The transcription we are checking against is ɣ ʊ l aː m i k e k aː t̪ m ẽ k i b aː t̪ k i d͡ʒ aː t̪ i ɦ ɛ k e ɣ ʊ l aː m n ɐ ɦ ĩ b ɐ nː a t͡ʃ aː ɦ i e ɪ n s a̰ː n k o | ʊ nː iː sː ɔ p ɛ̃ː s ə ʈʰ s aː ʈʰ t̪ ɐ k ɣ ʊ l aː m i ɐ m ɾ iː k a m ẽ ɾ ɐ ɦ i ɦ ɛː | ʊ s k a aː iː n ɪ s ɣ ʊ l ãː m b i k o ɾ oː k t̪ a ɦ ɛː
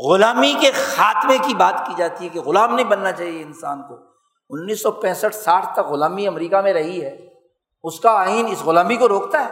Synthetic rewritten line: ɣ ʊ l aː m i k e x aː t̪ m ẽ k i b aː t̪ k i d͡ʒ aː t̪ i ɦ ɛ k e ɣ ʊ l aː m n ɐ ɦ ĩ b ɐ nː a t͡ʃ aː ɦ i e ɪ n s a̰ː n k o | ʊ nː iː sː ɔ p ɛ̃ː s ə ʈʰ s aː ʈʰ t̪ ɐ k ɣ ʊ l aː m i ɐ m ɾ iː k a m ẽ ɾ ɐ ɦ i ɦ ɛː | ʊ s k a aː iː n ɪ s ɣ ʊ l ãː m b i k o ɾ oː k t̪ a ɦ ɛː